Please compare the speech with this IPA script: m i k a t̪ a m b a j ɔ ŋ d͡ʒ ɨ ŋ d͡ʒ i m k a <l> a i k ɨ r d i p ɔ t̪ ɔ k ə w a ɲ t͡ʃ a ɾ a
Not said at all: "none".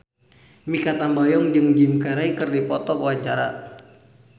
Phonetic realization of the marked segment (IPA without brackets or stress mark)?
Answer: ɾ